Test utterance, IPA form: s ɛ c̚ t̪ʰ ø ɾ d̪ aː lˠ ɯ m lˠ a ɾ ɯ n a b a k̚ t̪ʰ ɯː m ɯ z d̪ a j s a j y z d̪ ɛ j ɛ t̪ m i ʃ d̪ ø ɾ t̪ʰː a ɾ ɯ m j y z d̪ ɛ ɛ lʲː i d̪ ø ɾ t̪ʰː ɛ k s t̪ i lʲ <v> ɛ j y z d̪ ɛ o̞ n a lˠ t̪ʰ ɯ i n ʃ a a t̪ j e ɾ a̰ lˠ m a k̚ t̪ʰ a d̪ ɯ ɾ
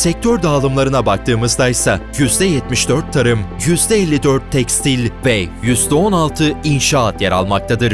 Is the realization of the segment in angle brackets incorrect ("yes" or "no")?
no